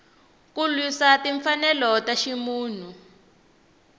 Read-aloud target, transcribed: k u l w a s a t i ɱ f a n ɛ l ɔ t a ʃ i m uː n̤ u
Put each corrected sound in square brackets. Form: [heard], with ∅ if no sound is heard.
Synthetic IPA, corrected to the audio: k u l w [i] s a t i ɱ f a n ɛ l ɔ t a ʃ i m uː n̤ u